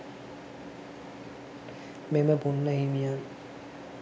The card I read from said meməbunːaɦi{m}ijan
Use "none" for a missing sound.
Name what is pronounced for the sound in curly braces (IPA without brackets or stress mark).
m